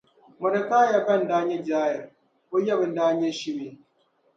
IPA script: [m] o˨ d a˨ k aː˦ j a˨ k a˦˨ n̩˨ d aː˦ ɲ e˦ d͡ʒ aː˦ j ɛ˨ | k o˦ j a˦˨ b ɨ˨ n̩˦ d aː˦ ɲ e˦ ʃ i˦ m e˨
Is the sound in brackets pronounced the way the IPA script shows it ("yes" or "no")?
yes